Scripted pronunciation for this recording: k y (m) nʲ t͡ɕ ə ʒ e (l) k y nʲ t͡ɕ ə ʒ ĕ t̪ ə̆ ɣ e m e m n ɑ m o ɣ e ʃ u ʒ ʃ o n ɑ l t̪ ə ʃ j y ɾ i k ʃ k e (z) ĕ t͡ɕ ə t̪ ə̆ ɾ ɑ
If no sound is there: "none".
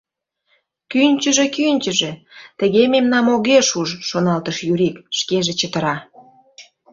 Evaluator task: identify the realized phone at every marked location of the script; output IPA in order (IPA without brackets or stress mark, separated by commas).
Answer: none, none, ʒ